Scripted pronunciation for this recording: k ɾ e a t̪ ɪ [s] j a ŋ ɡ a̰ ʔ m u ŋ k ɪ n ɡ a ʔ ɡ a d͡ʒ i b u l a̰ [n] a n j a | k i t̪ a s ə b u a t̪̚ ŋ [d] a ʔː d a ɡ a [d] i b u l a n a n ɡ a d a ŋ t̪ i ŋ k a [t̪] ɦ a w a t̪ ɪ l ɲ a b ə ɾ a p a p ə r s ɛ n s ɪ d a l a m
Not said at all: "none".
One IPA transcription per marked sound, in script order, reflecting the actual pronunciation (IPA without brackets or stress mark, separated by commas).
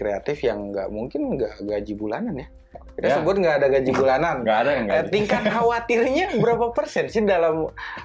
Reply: f, n, ɡ, d͡ʒ, t̪